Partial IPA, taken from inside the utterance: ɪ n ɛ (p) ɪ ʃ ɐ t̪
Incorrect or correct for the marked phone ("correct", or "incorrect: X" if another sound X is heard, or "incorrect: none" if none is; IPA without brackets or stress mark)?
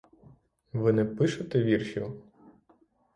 correct